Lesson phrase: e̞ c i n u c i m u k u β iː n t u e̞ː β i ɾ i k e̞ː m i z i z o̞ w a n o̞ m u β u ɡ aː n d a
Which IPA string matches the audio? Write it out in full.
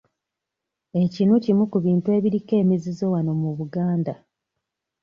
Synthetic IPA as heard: e̞ c i n u c i m u k u β iː n t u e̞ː β i ɾ i k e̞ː m i z i z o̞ w a n o̞ m u β u ɡ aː n d a